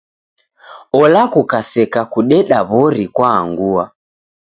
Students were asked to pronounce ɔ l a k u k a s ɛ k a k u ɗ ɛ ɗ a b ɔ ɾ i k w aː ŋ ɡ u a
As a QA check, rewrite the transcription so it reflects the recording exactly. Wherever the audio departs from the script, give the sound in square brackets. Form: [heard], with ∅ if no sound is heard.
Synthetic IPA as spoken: ɔ l a k u k a s ɛ k a k u ɗ ɛ ɗ a [β] ɔ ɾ i k w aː ŋ ɡ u a